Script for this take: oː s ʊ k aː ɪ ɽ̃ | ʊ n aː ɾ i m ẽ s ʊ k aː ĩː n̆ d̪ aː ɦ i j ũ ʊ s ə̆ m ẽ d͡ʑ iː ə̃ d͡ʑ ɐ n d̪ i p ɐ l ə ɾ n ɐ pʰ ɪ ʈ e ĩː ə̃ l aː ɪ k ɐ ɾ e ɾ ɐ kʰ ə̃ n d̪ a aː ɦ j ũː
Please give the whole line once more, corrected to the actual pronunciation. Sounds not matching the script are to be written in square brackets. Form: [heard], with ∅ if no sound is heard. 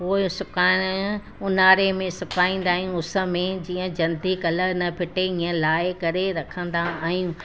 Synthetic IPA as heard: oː s ʊ k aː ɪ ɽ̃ | ʊ n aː ɾ [e] m ẽ s ʊ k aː ĩː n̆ d̪ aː ɦ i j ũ ʊ s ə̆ m ẽ d͡ʑ iː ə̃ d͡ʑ ɐ n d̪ i [k] ɐ l ə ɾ n ɐ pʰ ɪ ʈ e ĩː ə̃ l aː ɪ k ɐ ɾ e ɾ ɐ kʰ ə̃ n d̪ a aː ɦ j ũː